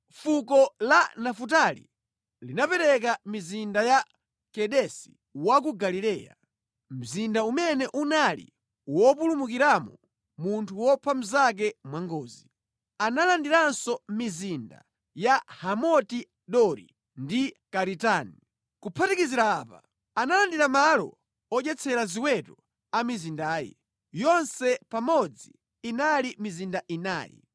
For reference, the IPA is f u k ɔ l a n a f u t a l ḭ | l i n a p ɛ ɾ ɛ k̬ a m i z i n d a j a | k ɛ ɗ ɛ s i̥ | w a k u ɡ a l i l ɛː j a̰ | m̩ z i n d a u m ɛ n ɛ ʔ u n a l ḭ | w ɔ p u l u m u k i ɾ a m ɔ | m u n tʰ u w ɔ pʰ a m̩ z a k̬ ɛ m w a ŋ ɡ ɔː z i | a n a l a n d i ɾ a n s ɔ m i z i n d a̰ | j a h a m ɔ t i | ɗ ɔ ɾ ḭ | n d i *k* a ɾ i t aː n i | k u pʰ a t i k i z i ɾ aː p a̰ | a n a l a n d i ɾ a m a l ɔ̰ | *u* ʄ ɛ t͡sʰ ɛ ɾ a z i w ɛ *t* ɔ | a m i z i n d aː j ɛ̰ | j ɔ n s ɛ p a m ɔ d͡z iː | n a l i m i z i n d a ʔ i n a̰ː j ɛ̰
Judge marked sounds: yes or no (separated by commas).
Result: yes, no, yes